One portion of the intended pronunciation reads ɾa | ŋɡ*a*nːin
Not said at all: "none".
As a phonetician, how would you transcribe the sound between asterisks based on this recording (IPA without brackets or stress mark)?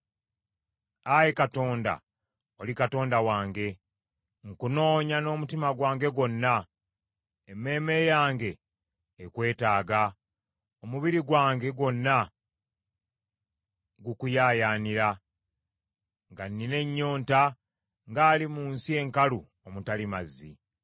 a